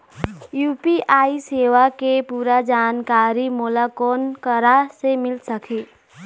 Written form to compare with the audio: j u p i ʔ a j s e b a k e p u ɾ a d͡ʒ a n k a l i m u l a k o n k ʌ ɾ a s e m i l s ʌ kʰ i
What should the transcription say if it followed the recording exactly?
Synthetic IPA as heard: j u p i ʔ a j s e w a k e p u ɾ a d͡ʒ a n k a ɾ i m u l a k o n k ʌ ɾ a s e m i l s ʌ kʰ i